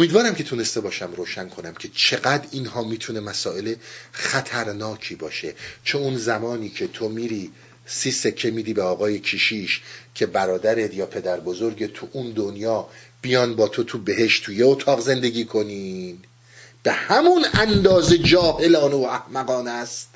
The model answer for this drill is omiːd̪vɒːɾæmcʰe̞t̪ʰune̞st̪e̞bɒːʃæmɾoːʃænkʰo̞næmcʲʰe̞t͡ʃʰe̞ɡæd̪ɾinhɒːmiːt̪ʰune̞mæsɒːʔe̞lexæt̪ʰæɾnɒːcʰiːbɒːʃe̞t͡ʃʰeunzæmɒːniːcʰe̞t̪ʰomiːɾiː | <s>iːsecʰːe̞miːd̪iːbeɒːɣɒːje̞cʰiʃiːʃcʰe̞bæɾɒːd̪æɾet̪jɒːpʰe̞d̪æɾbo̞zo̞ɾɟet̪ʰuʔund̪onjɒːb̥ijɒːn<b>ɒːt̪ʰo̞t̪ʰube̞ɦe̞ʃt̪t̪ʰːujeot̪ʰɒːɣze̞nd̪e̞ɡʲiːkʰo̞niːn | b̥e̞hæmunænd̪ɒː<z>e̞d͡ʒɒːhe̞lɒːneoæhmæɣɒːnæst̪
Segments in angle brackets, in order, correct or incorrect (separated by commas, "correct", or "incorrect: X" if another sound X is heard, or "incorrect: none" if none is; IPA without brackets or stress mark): correct, correct, correct